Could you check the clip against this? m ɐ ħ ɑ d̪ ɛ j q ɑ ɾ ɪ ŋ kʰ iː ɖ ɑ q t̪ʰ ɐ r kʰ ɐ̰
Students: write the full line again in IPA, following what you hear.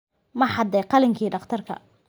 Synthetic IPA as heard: m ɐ ħ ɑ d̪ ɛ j q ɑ l ɪ ŋ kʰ iː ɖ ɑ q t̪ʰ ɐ r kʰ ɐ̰